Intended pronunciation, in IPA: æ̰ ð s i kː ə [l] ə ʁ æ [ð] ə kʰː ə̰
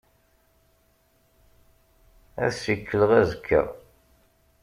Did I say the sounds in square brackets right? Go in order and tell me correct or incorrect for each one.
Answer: correct, incorrect: z

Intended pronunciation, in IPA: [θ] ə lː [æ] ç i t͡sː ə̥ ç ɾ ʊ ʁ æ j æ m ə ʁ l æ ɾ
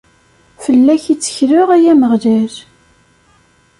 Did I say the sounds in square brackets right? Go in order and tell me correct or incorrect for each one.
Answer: incorrect: f, correct

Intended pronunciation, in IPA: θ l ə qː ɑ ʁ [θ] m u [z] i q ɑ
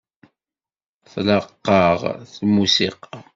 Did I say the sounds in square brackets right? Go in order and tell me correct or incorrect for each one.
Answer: correct, incorrect: s

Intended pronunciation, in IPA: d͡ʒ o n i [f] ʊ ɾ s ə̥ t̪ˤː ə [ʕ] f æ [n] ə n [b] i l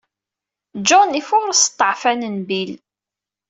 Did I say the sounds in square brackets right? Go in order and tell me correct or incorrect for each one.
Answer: correct, correct, correct, correct

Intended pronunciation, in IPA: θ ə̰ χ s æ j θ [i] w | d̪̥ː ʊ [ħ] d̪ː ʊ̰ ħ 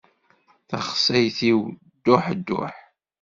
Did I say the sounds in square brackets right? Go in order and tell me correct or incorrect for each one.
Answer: correct, correct

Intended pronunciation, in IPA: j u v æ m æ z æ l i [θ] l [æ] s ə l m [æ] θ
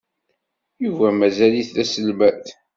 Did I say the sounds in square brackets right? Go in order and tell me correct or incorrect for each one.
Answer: correct, correct, correct

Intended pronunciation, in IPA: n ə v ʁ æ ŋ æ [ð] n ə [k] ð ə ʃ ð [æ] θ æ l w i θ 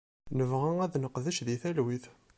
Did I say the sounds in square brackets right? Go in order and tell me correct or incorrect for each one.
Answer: correct, incorrect: q, incorrect: i

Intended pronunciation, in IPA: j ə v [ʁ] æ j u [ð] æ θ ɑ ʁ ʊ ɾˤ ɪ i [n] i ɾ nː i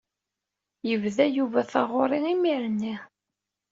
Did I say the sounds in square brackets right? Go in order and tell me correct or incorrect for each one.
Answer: incorrect: ð, incorrect: v, incorrect: m

